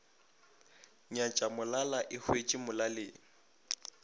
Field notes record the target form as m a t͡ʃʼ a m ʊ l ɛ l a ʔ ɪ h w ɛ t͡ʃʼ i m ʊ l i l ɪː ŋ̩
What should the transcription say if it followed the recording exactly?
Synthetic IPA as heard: ɲ a t͡ʃʼ a m ʊ l a l a ʔ ɪ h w e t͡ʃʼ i m ʊ l a l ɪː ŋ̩

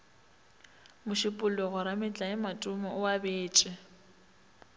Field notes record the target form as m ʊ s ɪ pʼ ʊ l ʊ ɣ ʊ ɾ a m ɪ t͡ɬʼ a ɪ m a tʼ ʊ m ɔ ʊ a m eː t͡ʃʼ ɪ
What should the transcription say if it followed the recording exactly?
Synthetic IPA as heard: m ʊ ʃ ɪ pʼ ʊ l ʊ ɣ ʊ ɾ a m ɪ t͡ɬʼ a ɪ m a tʼ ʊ m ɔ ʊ a b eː t͡ʃʼ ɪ

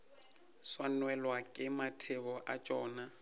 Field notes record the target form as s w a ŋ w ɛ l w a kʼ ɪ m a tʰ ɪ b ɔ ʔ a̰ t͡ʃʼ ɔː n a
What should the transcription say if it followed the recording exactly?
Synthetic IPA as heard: s w a n w ɛ l w a kʼ ɪ m a tʰ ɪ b ɔ ʔ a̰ t͡ʃʼ ɔː n a

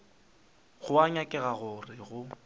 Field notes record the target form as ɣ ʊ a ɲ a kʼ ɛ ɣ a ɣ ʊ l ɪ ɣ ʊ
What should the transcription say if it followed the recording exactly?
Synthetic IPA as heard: ɣ ʊ a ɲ a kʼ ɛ ɣ a ɣ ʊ r ɪ ɣ ʊ

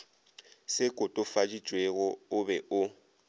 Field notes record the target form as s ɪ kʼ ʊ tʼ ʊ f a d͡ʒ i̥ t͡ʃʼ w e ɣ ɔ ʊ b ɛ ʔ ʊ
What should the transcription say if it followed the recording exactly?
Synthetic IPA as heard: s ɪ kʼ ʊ tʼ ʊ f a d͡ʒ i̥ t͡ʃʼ w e ɣ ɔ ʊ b ɛ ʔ ʊ

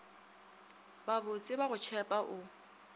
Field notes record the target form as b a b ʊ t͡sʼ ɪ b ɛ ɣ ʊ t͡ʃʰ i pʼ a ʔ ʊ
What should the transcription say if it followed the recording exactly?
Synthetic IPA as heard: b a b ʊ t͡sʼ ɪ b a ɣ ʊ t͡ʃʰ ɛ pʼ a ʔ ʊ

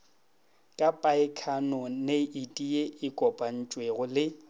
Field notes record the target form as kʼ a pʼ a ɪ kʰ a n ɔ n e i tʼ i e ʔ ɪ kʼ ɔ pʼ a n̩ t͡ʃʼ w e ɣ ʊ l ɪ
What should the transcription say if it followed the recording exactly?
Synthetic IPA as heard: kʼ a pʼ a ɪ kʰ a n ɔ n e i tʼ i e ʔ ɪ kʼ ɔ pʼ a n̩ t͡ʃʼ w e ɣ ʊ l ɪ

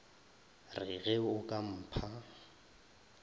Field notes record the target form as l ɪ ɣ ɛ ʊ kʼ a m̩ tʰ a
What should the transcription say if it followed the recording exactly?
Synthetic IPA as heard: r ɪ ɣ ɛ ʊ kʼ a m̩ pʰ a

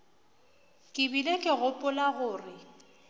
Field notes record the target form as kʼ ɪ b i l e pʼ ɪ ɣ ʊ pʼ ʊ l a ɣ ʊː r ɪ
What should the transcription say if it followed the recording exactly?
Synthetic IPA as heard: kʼ ɪ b i l e kʼ ɪ ɣ ʊ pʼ ʊ l a ɣ ʊː r ɪ

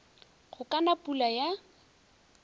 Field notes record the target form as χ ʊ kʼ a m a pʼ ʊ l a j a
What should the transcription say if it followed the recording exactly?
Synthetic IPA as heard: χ ʊ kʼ a n a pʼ u l a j a

